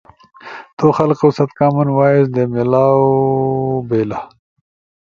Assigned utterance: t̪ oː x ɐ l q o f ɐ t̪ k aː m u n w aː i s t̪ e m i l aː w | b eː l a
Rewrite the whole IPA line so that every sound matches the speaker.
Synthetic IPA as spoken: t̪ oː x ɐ l q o s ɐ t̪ k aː m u n w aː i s d̪ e m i l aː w | b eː l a